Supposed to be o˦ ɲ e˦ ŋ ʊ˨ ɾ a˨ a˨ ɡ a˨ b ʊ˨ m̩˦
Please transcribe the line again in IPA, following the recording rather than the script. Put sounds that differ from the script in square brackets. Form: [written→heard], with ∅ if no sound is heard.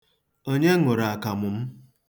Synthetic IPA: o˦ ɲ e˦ ŋ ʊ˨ ɾ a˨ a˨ [ɡ→k] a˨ [b→m] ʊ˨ m̩˦